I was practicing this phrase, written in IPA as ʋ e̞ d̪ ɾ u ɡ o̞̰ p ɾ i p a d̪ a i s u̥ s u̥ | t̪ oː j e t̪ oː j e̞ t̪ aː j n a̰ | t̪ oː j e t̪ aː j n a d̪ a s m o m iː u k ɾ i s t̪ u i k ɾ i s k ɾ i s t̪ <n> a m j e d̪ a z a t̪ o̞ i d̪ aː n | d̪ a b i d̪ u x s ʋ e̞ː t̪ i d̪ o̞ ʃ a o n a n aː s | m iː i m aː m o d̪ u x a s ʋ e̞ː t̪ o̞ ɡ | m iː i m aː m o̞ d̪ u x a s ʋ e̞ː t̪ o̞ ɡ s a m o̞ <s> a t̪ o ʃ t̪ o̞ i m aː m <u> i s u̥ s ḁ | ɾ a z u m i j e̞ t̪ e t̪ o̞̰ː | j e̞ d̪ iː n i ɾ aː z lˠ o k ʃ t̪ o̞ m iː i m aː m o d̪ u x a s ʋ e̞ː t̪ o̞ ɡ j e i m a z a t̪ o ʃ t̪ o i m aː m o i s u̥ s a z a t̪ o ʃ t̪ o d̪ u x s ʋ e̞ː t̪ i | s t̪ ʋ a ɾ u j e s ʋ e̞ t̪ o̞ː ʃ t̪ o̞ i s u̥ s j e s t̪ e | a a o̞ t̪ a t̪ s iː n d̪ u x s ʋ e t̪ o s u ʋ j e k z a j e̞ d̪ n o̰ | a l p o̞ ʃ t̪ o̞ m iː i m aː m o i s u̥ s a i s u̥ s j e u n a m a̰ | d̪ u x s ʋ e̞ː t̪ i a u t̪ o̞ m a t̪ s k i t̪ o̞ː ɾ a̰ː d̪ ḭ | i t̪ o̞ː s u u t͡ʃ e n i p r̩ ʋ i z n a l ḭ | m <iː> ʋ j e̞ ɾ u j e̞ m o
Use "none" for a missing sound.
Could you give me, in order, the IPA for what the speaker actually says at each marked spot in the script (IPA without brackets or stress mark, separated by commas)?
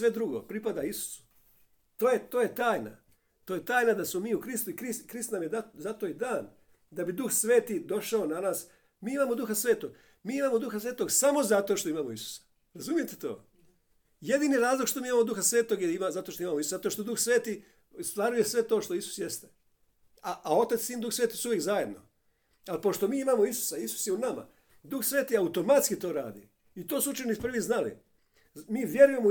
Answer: n, z, o, iː